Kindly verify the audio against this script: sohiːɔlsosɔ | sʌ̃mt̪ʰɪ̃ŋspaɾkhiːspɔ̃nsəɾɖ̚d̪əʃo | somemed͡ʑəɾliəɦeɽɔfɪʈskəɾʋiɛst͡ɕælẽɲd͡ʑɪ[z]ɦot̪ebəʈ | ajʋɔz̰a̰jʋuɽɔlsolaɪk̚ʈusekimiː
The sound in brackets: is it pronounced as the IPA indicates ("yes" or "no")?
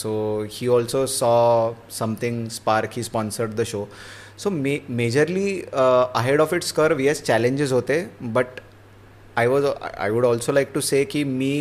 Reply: yes